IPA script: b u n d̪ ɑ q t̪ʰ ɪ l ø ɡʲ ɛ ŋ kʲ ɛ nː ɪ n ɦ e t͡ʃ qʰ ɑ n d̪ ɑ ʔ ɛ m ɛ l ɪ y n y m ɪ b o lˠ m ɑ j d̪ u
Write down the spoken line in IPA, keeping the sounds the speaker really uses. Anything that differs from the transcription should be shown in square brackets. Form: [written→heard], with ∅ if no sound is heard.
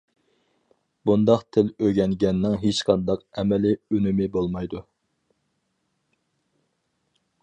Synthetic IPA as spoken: b u n d̪ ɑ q t̪ʰ ɪ l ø ɡʲ ɛ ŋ [kʲ→ɡʲ] ɛ nː ɪ [n→ŋ] ɦ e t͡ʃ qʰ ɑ n d̪ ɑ [ʔ→q] ɛ m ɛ l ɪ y n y m ɪ b o lˠ m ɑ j d̪ u